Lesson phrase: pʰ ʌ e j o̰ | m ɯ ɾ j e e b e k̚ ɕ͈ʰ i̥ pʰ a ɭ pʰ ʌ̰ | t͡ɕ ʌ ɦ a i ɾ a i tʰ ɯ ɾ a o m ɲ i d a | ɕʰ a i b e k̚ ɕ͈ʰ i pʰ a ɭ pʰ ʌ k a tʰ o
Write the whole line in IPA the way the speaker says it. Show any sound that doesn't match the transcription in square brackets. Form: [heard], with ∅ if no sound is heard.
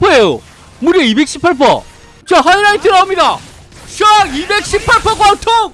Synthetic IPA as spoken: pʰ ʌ e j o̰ | m [u] ɾ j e [i] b e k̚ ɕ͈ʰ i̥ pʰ a ɭ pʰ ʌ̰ | t͡ɕ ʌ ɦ a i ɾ a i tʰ ɯ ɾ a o m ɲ i d a | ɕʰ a i b e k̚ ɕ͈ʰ i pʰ a ɭ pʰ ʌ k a tʰ o